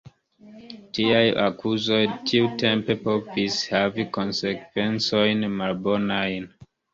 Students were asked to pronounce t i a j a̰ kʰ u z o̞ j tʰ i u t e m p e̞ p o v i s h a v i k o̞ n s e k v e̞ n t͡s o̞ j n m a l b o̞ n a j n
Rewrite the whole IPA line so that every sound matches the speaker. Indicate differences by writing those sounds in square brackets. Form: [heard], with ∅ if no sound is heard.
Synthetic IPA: t i a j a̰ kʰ u z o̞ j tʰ i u t e m p e̞ p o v i s h a v i k o̞ n s e k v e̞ n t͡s o̞ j n m a l b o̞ n a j n